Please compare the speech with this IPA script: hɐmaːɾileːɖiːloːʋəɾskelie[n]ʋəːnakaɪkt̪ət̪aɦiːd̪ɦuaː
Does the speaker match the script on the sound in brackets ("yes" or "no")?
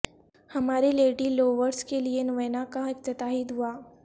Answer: yes